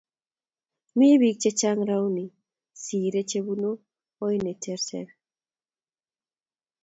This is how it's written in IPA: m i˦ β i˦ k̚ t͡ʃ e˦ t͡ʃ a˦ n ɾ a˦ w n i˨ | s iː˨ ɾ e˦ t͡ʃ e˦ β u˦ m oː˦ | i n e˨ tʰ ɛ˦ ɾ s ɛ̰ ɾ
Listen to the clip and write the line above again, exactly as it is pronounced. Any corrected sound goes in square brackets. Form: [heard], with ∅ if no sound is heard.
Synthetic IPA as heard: m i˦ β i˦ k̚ t͡ʃ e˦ t͡ʃ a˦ [ŋ] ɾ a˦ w n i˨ | s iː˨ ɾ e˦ t͡ʃ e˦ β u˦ [n] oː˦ | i n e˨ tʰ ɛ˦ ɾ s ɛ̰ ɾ